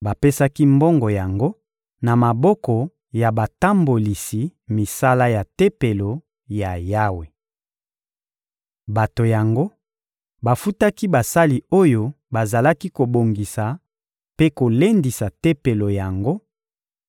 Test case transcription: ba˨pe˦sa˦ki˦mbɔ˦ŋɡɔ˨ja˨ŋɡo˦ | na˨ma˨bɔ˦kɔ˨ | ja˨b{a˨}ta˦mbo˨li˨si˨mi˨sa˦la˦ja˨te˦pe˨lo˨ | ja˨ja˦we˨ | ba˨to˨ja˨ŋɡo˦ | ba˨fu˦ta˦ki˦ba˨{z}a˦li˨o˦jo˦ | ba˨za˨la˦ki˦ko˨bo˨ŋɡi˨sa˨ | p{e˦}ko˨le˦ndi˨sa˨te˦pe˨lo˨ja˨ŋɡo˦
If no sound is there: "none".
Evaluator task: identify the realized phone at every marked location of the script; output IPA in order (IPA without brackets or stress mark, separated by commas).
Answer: a˨, s, e˦